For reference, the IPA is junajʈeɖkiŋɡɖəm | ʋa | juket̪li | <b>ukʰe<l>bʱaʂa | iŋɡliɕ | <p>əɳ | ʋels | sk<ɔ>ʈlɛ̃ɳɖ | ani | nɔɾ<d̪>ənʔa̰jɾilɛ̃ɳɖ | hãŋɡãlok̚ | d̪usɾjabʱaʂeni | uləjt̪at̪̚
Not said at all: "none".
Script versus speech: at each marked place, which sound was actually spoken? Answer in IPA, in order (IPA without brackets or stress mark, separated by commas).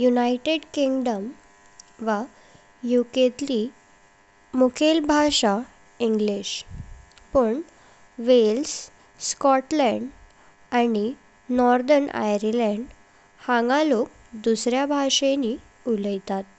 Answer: m, l, p, ɔ, d̪